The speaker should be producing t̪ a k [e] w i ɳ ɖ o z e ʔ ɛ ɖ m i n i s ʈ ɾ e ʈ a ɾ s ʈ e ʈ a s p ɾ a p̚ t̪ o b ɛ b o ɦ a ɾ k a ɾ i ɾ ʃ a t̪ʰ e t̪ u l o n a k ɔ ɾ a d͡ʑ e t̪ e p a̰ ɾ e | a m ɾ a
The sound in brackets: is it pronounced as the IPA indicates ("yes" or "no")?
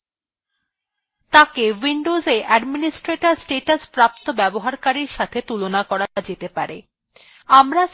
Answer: yes